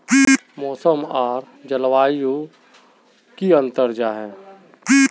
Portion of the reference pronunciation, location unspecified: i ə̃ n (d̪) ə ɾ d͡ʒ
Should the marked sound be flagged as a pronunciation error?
yes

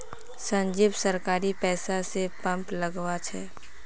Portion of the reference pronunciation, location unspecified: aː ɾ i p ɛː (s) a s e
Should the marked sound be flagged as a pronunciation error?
no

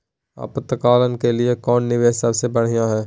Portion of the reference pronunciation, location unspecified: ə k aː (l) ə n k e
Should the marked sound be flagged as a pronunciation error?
no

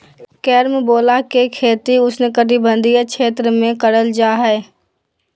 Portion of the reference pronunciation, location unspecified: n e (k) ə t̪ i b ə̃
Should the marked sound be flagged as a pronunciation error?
no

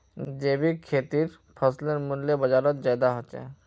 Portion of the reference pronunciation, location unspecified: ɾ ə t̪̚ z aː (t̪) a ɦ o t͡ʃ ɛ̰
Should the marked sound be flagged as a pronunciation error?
yes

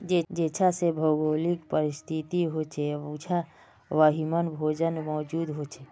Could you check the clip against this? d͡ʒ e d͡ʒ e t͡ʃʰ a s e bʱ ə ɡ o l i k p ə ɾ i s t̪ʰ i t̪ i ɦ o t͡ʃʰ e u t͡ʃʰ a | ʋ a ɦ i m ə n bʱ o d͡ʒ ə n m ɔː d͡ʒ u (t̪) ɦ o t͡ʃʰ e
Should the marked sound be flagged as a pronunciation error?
yes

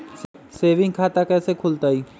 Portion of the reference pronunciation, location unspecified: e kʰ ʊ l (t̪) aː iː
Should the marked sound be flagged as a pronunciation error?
no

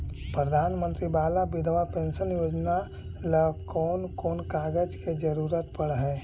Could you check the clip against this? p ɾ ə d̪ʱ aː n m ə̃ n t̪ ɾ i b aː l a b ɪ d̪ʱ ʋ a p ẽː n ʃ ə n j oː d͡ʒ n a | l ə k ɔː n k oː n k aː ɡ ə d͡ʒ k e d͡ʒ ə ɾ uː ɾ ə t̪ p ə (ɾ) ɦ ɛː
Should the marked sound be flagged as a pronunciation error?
yes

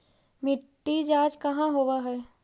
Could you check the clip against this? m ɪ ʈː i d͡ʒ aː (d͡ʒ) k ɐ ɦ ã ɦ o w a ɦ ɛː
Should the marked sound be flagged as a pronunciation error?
no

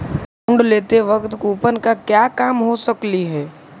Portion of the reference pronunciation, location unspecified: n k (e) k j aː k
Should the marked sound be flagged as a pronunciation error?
yes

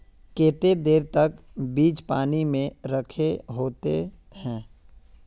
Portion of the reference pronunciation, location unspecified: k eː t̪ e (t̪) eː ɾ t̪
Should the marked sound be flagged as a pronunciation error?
yes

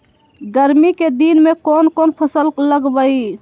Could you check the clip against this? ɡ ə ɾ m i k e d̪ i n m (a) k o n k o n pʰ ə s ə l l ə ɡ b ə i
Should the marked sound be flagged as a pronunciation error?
yes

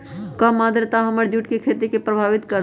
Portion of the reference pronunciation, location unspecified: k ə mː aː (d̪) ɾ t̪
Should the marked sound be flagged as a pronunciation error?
no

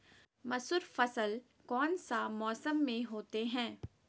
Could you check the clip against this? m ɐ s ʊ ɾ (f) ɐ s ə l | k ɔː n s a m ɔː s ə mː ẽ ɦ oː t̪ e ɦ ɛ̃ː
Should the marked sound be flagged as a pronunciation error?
no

